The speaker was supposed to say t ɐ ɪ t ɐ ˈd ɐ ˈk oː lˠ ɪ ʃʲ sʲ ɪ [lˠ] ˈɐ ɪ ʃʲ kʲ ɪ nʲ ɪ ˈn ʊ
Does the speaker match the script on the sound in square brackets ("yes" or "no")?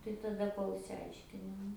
no